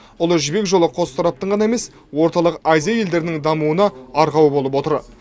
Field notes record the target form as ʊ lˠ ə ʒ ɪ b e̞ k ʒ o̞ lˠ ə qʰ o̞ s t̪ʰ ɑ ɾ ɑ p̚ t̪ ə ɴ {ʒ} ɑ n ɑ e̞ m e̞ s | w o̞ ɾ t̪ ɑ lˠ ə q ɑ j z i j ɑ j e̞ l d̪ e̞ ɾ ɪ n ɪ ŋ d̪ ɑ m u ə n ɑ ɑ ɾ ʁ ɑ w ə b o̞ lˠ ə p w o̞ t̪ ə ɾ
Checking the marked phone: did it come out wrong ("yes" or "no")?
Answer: yes